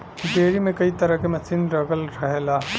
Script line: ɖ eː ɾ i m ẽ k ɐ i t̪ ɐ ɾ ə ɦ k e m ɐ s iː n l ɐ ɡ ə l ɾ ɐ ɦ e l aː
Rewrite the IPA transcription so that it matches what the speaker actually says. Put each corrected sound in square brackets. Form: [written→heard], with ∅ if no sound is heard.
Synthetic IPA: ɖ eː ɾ i m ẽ k ɐ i t̪ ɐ ɾ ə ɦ k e m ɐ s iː n [l→ɾ] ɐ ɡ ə l ɾ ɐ ɦ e l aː